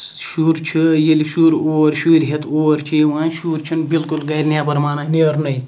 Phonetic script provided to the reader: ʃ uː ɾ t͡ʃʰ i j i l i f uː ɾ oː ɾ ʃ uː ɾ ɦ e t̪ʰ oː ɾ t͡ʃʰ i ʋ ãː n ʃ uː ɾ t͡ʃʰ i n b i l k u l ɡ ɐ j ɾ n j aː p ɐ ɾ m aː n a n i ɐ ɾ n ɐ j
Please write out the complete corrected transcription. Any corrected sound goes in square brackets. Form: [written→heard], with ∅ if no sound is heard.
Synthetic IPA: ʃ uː ɾ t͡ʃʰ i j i l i [f→ʃ] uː ɾ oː ɾ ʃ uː ɾ ɦ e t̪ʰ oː ɾ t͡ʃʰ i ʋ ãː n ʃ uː ɾ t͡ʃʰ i n b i l k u l ɡ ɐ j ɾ n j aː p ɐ ɾ m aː n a n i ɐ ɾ n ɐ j